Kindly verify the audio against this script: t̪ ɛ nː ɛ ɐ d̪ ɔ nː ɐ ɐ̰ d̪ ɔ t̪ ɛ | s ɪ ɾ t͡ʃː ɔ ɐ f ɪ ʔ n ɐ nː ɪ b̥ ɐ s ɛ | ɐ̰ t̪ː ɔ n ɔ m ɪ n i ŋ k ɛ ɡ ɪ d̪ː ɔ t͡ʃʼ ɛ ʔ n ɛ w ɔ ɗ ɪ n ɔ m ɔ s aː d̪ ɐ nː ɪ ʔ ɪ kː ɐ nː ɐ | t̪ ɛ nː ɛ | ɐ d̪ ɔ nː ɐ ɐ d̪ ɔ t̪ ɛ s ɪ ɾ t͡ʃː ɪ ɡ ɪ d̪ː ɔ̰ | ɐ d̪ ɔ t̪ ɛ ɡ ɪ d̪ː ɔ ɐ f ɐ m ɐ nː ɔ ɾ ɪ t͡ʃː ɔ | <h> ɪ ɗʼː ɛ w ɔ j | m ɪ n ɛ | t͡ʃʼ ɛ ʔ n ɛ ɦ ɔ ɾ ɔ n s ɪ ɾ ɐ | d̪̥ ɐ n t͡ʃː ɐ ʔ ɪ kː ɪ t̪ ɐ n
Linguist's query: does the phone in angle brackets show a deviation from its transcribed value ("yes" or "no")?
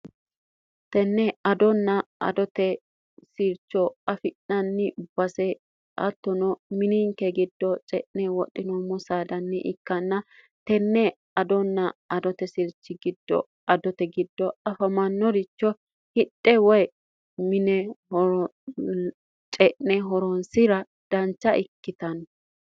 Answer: no